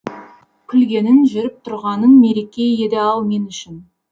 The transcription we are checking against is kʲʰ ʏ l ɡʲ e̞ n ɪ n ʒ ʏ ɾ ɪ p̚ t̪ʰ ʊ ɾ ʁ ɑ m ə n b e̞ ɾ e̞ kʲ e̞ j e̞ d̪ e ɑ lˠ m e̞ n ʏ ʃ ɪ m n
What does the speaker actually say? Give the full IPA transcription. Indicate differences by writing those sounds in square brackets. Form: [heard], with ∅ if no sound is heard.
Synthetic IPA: kʲʰ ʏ l ɡʲ e̞ n ɪ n ʒ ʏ ɾ ɪ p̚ t̪ʰ ʊ ɾ ʁ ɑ [n] ə n [m] e̞ ɾ e̞ kʲ e̞ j e̞ d̪ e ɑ lˠ m e̞ n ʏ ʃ ɪ [∅] n